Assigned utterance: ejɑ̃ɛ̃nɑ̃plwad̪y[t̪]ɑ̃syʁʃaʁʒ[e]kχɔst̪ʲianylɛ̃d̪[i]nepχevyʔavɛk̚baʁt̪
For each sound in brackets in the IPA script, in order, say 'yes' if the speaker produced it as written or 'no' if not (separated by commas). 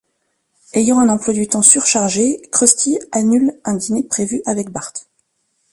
yes, yes, yes